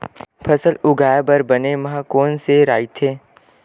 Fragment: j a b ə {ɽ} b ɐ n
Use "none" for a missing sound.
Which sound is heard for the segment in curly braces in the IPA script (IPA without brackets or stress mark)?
ɾ